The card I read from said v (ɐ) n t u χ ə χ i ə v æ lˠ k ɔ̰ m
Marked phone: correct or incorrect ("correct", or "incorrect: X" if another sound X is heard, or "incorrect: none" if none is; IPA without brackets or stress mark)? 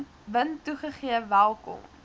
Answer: incorrect: ə